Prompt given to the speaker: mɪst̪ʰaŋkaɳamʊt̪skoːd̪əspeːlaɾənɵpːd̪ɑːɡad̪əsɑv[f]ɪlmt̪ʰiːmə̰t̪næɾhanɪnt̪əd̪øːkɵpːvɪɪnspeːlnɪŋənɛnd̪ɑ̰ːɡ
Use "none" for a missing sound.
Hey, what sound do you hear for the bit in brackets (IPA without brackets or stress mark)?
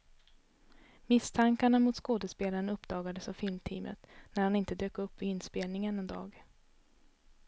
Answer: f